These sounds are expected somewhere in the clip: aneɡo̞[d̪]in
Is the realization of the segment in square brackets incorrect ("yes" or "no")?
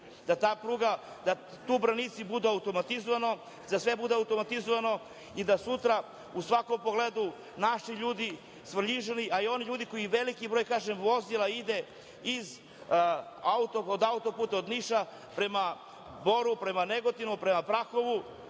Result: yes